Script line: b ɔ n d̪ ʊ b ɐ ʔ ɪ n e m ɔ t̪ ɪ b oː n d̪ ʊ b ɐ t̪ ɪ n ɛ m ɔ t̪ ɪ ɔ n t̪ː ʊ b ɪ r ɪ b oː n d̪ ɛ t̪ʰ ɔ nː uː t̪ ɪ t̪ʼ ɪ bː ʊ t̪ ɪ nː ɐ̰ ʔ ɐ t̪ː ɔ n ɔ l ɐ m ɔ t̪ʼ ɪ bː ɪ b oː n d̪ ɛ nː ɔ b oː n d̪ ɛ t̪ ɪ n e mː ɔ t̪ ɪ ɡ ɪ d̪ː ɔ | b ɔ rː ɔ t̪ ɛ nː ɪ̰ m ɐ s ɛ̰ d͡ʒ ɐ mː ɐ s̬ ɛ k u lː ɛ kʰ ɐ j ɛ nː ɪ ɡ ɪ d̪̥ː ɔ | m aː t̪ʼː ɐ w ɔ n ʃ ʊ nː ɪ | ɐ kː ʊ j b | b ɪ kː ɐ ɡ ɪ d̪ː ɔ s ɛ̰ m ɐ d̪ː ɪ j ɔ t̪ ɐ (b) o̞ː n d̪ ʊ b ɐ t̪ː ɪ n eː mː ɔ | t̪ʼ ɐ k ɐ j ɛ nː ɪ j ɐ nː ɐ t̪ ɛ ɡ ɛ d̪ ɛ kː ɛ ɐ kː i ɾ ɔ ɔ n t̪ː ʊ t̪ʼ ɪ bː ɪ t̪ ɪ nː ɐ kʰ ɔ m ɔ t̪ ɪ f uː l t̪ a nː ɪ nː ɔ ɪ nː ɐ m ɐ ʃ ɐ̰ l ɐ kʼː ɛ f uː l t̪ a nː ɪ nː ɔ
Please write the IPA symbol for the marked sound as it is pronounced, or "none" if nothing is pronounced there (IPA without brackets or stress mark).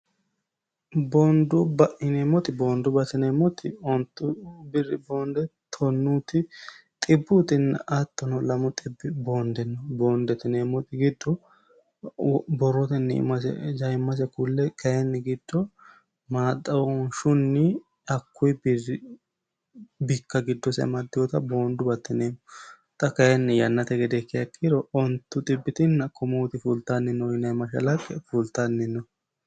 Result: b